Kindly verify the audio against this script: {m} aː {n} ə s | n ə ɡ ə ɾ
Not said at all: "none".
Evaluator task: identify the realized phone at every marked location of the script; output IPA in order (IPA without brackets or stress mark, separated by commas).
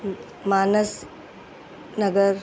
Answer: m, n